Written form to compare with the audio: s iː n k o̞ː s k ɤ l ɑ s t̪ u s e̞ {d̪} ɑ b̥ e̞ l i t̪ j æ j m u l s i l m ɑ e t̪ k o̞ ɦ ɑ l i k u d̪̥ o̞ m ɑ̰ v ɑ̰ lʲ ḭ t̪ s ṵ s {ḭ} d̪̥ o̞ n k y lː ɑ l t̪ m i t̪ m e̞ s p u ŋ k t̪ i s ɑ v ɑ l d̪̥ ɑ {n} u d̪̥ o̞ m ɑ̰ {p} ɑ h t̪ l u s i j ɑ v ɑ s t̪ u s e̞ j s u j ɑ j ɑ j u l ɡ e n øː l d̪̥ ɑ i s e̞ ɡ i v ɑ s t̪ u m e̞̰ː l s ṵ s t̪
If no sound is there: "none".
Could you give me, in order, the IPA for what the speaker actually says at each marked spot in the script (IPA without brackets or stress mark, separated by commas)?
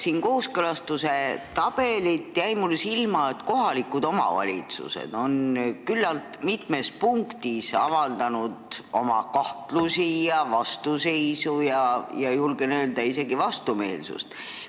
t̪, ḛ, n, k